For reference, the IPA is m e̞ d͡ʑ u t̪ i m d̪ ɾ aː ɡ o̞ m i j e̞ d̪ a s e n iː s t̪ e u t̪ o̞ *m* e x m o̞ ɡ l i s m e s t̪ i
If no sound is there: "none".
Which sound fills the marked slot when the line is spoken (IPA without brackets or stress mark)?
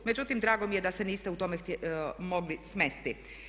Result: m